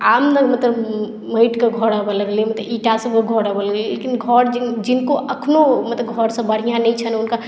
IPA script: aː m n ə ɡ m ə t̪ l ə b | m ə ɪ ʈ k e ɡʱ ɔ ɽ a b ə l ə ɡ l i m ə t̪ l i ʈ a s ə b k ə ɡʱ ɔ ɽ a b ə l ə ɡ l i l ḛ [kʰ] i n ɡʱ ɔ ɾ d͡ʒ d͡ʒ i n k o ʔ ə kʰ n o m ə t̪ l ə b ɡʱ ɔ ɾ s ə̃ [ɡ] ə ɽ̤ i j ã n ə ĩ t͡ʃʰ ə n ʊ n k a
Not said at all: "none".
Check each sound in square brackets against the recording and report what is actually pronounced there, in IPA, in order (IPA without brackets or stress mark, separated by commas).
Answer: k, b